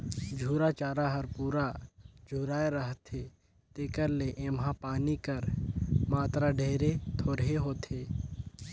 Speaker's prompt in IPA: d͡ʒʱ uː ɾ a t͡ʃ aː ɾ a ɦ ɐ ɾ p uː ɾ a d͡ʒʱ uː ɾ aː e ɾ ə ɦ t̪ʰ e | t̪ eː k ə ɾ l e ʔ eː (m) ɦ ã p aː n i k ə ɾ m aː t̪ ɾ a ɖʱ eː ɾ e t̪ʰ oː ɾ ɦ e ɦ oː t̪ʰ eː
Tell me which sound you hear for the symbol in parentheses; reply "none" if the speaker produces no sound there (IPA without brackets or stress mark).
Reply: m